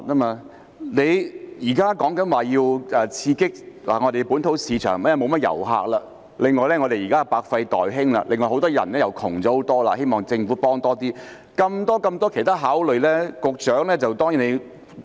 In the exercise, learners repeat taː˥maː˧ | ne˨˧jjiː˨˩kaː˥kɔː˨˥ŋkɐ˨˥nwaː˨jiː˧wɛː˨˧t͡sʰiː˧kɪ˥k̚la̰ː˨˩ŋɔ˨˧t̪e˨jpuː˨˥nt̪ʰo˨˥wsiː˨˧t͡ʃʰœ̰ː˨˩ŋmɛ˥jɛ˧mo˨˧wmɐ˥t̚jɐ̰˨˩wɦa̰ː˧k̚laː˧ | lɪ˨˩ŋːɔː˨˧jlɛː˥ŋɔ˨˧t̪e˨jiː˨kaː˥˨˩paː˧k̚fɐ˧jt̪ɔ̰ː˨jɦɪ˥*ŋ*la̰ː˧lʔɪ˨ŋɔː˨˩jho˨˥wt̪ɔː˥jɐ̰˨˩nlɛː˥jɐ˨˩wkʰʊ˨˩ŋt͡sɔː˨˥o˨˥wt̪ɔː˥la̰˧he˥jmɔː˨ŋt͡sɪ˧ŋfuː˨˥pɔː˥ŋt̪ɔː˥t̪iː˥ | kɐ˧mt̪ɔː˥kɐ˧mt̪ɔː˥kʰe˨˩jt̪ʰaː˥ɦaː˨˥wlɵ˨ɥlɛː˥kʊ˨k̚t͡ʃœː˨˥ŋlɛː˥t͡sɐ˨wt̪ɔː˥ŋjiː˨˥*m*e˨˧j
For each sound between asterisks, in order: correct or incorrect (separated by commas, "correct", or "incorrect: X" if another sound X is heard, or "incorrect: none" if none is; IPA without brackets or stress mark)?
correct, incorrect: n